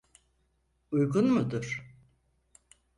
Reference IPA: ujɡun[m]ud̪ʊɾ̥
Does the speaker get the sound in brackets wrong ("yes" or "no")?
no